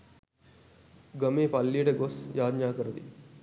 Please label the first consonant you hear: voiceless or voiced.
voiced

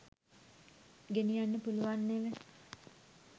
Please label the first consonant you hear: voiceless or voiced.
voiced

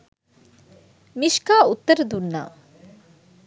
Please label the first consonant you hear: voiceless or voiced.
voiced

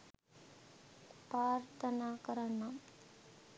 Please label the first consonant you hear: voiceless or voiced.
voiceless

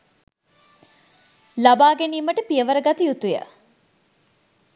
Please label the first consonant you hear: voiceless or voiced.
voiced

